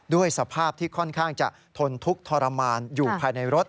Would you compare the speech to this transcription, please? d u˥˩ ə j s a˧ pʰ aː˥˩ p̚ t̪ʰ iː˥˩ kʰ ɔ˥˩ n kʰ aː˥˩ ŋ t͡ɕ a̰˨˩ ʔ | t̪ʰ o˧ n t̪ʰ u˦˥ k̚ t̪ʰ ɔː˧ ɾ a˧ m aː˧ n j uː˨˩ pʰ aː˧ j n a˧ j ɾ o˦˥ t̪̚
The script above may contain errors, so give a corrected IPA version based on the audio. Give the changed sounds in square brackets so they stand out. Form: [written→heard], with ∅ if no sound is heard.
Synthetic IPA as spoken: d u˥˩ ə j s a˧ pʰ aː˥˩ p̚ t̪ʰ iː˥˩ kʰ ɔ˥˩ n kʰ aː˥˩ ŋ t͡ɕ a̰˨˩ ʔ | t̪ʰ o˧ n t̪ʰ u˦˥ k̚ t̪ʰ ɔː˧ ɾ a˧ m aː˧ n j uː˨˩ pʰ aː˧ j n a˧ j ɾ o˦˥ t̪̚